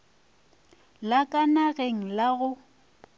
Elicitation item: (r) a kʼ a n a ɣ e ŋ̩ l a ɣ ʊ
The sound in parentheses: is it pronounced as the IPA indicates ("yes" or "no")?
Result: no